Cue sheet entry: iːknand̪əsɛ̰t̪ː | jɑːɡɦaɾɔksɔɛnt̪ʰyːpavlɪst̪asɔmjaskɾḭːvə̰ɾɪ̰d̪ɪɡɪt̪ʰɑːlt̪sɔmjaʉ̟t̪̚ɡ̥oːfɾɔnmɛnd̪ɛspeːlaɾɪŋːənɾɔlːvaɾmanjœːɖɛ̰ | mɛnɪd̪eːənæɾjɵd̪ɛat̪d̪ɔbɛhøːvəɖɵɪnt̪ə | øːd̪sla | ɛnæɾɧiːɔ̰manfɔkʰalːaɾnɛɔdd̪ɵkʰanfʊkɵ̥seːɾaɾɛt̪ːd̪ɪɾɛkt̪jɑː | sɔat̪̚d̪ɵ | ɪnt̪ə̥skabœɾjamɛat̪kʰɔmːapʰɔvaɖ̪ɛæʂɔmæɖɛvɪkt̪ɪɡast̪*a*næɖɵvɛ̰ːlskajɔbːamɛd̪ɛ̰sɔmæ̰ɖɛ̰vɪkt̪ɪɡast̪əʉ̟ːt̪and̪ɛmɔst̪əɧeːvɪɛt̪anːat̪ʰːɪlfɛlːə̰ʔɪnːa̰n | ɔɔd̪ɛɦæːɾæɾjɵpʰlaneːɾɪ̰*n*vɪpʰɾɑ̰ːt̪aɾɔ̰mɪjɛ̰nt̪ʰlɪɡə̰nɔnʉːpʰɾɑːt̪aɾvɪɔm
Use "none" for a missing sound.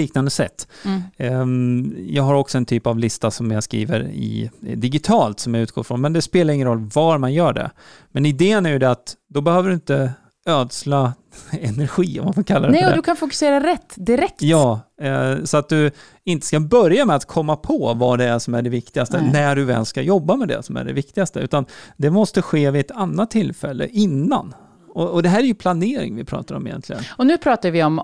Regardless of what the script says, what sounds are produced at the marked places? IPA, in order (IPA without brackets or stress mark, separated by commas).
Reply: ə, ŋ